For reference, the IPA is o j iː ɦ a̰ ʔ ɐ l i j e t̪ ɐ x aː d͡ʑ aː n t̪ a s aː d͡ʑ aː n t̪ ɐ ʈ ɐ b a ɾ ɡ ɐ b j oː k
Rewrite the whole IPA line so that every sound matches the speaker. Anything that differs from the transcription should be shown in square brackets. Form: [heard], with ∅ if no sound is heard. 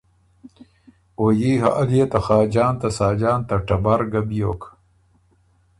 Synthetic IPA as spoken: o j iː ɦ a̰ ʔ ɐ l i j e t̪ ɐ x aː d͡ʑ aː n t̪ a s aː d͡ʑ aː n t̪ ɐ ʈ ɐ b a ɾ ɡ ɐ b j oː k